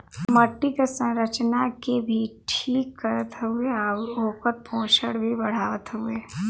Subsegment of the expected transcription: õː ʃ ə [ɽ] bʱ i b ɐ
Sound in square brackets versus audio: correct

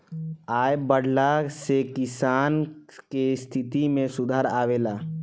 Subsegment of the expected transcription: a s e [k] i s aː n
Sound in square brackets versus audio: correct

